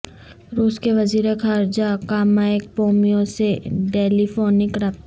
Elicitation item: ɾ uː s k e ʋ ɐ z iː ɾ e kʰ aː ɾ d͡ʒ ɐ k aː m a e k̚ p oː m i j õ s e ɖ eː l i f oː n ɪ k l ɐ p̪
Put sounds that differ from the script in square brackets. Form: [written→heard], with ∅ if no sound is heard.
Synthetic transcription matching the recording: ɾ uː s k e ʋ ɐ z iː ɾ e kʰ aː ɾ d͡ʒ [ɐ→a] k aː m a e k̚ p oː m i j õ s e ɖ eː l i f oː n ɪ k [l→ɾ] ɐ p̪